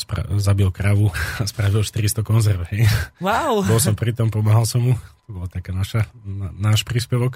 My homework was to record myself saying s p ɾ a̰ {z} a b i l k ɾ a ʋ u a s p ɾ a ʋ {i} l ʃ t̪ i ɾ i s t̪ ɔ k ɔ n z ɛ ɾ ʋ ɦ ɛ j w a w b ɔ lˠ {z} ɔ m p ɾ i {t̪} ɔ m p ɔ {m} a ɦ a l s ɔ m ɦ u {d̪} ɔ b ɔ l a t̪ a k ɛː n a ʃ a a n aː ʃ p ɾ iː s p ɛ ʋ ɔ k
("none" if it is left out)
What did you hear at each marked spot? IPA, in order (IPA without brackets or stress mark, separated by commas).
z, i, s, t̪, m, t̪